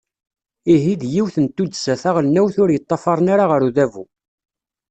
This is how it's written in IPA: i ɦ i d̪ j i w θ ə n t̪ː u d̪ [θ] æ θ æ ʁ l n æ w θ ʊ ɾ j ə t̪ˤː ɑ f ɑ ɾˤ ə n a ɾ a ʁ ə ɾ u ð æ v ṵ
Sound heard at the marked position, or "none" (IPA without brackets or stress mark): s